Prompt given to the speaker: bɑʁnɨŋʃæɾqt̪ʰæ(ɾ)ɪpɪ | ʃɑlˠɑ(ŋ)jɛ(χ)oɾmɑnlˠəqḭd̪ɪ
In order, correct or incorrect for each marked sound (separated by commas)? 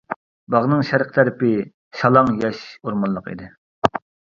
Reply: correct, correct, incorrect